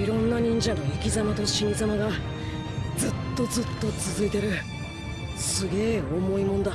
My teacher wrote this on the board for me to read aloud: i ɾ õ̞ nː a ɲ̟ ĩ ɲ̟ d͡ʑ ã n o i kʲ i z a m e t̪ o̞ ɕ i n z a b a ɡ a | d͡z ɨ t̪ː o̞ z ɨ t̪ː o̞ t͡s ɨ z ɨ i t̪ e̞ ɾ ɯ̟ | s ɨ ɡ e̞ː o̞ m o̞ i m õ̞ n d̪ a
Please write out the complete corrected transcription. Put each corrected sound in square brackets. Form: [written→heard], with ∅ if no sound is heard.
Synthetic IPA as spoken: i ɾ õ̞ nː a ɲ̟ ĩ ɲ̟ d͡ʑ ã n o i kʲ i z a m [e→a] t̪ o̞ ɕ i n z a [b→m] a ɡ a | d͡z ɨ t̪ː o̞ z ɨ t̪ː o̞ t͡s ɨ z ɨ i t̪ e̞ ɾ ɯ̟ | s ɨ ɡ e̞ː o̞ m o̞ i m õ̞ n d̪ a